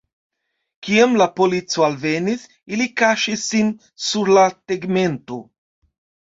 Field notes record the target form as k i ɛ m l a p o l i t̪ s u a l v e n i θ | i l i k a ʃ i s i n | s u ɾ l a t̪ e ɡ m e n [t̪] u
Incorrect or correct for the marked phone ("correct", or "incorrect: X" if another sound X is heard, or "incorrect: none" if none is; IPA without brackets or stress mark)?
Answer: correct